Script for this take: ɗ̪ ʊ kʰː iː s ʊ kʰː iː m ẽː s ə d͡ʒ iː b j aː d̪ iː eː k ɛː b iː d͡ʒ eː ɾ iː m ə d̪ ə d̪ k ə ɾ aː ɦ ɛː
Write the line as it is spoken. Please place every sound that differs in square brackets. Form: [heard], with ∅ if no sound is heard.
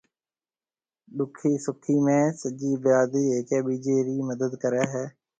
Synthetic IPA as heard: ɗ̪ ʊ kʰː iː s ʊ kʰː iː m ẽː s ə d͡ʒ iː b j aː d̪ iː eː k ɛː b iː d͡ʒ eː ɾ iː m ə d̪ ə d̪ k ə ɾ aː ɦ ɛː

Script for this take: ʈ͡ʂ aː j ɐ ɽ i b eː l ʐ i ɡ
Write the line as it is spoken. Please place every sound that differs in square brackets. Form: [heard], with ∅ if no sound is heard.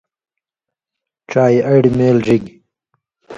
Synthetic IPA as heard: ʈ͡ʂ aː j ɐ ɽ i [m] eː l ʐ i ɡ

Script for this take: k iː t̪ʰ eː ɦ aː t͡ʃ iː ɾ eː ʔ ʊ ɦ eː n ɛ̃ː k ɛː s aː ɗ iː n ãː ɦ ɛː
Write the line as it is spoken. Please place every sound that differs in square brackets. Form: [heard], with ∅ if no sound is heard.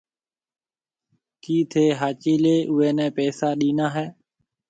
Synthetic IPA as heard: k iː t̪ʰ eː ɦ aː t͡ʃ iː [l] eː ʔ ʊ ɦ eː n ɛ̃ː [p] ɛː s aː ɗ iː n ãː ɦ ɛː

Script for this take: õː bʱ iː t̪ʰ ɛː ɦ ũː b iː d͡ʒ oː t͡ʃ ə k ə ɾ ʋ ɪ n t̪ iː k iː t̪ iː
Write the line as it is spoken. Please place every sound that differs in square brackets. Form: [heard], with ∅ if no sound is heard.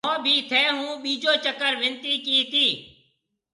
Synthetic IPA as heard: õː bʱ iː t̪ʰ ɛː ɦ ũː [ɓ] iː d͡ʒ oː t͡ʃ ə k ə ɾ ʋ ɪ n t̪ iː k iː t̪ iː

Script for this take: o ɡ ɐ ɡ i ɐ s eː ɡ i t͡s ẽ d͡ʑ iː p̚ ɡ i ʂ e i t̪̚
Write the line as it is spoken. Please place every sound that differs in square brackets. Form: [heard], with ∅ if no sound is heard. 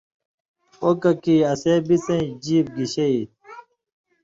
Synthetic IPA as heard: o [k] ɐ [k] i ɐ s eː [b] i t͡s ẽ d͡ʑ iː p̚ ɡ i [ɕ] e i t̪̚

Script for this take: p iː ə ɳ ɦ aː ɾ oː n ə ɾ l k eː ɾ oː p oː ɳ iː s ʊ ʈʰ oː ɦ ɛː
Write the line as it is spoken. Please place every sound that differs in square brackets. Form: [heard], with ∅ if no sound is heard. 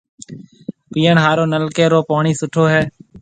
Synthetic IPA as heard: p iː ə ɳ ɦ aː ɾ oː n ə [∅] l k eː ɾ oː p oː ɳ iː s ʊ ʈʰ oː ɦ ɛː

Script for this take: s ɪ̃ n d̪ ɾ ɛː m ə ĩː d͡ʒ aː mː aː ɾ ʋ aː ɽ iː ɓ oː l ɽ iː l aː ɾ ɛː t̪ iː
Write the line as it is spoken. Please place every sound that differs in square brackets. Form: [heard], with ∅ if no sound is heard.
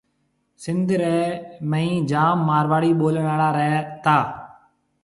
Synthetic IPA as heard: s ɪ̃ n d̪ ɾ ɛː m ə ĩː d͡ʒ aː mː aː ɾ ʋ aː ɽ iː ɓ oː l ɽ [aː] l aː ɾ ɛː t̪ [aː]

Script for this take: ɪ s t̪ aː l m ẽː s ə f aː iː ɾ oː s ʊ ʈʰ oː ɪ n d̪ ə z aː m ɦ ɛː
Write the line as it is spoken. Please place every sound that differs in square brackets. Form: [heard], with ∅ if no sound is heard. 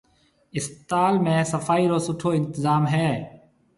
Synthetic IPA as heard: ɪ s t̪ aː l m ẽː s ə f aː iː ɾ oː s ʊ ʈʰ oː ɪ n [t̪] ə z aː m ɦ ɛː

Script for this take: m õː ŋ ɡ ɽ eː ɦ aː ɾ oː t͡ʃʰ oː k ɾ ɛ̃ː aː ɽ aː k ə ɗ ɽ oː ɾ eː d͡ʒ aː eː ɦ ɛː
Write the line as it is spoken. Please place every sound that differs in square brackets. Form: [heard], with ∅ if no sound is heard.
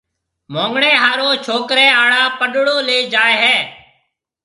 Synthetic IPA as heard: m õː ŋ ɡ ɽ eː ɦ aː ɾ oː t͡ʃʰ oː k ɾ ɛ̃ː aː ɽ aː [p] ə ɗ ɽ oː [l] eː d͡ʒ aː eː ɦ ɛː

